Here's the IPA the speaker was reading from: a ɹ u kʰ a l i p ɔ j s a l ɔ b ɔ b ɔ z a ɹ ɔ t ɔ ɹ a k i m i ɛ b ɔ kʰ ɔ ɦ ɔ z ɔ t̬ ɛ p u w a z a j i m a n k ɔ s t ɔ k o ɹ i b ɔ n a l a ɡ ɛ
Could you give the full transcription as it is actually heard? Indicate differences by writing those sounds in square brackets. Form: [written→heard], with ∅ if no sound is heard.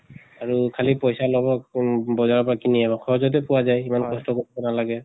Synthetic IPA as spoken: a ɹ u kʰ a l i p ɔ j s a l ɔ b ɔ b ɔ z a ɹ ɔ [t→p] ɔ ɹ a k i [m→n] i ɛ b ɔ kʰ ɔ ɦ ɔ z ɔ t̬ ɛ p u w a z a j i m a n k ɔ s t ɔ k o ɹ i b ɔ n a l a ɡ ɛ